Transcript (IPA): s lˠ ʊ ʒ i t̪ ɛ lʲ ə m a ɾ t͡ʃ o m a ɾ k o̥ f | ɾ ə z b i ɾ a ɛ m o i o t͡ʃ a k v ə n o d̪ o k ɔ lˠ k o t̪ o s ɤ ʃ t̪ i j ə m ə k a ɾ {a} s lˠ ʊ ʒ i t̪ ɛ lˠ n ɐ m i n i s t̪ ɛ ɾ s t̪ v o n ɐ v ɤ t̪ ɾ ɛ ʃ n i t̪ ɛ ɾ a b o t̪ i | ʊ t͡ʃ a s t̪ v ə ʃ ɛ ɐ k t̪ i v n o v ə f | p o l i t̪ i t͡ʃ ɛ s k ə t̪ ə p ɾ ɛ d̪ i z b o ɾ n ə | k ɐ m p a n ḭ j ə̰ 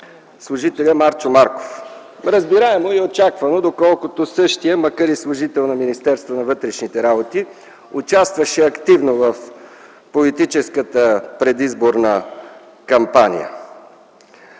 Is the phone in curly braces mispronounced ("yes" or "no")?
yes